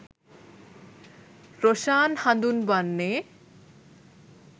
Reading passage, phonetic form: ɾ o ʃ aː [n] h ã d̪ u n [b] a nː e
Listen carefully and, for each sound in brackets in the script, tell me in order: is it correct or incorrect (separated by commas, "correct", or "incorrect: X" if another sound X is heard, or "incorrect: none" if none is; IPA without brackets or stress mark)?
correct, correct